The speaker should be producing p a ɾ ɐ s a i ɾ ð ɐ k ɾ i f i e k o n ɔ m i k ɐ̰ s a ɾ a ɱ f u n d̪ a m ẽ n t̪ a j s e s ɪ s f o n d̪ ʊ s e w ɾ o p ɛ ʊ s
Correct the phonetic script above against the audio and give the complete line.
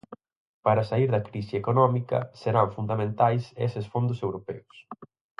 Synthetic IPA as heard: p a ɾ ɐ s a i ɾ ð ɐ k ɾ i s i e k o n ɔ m i k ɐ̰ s e ɾ a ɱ f u n d̪ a m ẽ n t̪ a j s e s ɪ s f o n d̪ ʊ s e w ɾ o p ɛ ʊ s